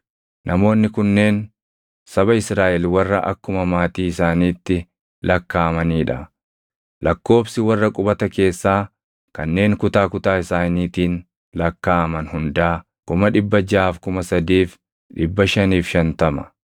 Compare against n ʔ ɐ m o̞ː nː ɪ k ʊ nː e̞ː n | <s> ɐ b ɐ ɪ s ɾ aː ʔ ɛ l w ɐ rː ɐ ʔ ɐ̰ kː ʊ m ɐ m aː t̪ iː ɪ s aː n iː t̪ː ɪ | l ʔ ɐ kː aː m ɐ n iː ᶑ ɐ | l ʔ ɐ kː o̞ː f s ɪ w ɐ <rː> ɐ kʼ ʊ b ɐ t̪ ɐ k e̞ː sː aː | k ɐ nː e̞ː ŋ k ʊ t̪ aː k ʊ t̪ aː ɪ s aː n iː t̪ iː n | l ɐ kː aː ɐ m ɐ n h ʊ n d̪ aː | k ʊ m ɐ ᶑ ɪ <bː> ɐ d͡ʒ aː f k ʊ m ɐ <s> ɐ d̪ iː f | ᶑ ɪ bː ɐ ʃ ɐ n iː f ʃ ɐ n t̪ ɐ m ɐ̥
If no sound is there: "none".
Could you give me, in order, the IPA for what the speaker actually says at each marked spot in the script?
s, rː, bː, s

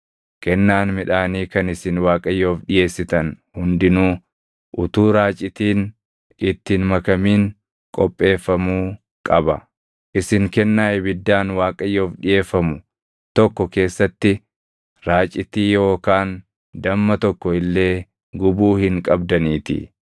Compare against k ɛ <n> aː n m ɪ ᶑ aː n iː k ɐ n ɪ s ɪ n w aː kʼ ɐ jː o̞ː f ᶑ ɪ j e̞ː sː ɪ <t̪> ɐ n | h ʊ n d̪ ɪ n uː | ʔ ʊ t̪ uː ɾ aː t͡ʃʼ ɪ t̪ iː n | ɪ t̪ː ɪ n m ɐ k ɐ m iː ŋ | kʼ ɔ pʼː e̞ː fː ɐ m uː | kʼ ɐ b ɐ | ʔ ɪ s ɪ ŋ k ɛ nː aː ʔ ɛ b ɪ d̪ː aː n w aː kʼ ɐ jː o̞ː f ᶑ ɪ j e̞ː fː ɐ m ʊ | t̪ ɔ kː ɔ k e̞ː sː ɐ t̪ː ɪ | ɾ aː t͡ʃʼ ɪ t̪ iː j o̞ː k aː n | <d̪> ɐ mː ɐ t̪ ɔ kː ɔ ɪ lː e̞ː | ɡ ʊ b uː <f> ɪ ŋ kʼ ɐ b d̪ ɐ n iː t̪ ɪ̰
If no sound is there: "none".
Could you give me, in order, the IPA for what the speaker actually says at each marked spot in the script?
nː, t̪, d̪, h

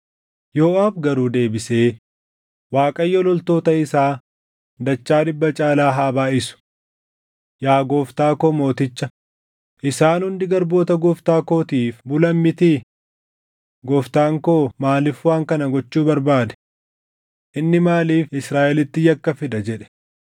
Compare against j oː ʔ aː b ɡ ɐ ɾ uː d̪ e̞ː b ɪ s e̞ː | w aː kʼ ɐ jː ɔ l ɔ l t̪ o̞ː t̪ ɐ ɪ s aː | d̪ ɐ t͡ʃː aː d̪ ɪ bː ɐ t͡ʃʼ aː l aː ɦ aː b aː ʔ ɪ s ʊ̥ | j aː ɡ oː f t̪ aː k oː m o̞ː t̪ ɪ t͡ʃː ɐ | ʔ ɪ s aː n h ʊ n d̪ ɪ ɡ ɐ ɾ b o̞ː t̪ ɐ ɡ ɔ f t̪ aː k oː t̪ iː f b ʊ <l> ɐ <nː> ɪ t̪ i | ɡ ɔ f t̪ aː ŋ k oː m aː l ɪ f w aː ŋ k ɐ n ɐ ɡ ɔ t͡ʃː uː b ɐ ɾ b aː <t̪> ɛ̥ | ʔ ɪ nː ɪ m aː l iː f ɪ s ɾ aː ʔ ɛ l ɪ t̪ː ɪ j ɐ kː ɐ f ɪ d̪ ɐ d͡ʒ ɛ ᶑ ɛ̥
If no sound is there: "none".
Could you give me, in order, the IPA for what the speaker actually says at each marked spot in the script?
l, mː, d̪

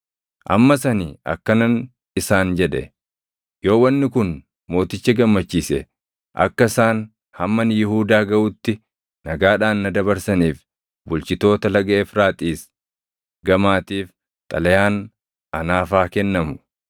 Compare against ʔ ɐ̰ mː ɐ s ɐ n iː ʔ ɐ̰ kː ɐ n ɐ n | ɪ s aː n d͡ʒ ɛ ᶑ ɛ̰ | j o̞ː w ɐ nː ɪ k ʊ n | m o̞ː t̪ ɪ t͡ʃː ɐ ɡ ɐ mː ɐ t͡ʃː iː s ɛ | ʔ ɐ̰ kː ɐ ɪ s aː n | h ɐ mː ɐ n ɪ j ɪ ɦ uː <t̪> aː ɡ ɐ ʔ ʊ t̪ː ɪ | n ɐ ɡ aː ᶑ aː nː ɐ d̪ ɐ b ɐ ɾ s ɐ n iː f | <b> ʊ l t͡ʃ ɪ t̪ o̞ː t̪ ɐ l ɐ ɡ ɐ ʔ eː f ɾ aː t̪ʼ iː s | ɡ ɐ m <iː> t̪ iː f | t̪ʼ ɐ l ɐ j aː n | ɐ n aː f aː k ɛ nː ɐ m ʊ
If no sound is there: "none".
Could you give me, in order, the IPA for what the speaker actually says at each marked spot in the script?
d̪, b, aː

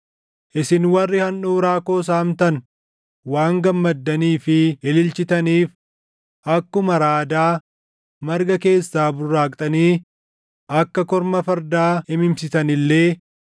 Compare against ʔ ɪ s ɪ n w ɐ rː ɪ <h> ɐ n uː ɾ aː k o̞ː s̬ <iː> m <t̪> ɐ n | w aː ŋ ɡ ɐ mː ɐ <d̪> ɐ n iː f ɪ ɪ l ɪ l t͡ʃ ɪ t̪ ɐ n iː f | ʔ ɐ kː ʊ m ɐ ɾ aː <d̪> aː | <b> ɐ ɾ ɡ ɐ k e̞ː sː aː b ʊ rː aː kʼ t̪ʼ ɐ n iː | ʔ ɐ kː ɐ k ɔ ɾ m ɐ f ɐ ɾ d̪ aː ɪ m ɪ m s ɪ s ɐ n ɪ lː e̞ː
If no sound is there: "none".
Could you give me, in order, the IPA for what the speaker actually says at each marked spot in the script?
h, aː, t̪, d̪ː, d̪, m

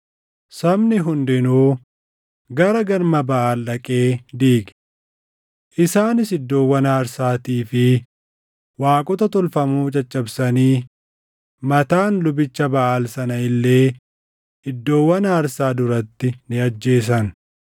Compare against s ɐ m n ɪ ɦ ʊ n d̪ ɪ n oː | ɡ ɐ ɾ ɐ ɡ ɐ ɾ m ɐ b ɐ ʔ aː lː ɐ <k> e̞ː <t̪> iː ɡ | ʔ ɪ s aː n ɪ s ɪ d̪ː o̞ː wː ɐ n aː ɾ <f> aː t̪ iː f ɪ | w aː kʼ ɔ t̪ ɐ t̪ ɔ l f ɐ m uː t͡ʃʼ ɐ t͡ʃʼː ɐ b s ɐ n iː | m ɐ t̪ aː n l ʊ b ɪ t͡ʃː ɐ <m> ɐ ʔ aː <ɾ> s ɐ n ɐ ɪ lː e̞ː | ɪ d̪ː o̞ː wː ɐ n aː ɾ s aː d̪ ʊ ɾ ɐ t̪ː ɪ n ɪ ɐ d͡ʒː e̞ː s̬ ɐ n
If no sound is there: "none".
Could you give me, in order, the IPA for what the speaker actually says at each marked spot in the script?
kʼ, d̪, s, b, l

